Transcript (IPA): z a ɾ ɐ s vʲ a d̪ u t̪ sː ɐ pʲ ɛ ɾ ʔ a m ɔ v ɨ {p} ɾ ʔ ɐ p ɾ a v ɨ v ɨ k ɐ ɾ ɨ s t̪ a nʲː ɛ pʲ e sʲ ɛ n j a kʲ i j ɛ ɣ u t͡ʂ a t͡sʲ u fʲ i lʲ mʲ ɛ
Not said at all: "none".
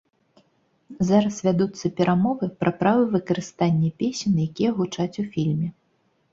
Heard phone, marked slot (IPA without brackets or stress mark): p